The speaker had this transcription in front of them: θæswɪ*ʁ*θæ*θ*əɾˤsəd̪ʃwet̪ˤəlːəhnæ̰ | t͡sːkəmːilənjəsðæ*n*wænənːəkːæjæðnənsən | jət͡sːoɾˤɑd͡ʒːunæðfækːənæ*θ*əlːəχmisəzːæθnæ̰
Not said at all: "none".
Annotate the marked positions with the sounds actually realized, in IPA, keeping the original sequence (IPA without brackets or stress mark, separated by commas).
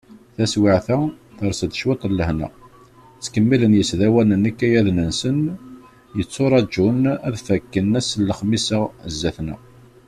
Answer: ʕ, θ, none, s